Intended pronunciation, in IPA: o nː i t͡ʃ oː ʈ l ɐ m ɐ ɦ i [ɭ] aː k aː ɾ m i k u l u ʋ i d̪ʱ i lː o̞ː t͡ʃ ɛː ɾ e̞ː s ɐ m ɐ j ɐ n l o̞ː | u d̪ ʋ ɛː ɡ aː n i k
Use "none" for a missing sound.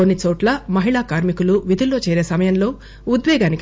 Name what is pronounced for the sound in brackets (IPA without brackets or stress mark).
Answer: ɭ